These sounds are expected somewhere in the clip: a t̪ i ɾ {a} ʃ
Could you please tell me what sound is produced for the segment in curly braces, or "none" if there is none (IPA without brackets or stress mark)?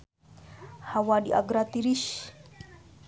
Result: i